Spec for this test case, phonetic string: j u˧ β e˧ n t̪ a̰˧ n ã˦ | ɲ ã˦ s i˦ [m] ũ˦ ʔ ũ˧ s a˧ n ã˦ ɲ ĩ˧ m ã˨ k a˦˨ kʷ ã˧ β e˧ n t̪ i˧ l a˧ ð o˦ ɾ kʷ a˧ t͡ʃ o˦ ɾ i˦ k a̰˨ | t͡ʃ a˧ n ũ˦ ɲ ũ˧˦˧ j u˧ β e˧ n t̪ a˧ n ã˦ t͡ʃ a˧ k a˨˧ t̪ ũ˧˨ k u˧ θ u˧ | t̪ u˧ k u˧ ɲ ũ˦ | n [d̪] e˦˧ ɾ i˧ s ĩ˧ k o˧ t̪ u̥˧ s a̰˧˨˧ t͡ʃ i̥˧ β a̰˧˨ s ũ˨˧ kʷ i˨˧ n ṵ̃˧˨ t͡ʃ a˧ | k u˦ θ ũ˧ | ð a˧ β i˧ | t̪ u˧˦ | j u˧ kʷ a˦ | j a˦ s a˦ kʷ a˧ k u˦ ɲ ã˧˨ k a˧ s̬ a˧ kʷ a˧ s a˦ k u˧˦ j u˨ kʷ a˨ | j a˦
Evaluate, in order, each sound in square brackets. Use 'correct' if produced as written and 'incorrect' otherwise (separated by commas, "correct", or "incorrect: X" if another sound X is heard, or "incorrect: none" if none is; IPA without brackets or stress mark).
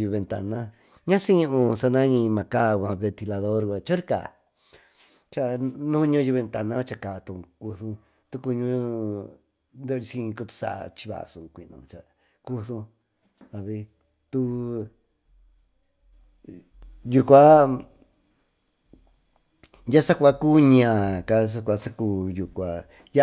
incorrect: ɲ, correct